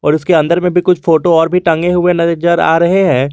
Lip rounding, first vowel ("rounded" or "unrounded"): rounded